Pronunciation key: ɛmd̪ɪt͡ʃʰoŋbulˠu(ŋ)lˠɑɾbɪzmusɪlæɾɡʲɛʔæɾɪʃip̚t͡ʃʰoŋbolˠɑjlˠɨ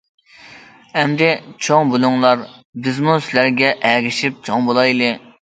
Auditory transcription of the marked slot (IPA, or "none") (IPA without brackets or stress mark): ŋ